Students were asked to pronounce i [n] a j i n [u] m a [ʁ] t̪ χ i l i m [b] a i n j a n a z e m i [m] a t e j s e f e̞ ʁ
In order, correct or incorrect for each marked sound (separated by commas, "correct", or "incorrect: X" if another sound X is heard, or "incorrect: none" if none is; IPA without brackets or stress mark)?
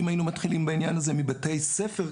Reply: incorrect: m, correct, incorrect: none, correct, incorrect: b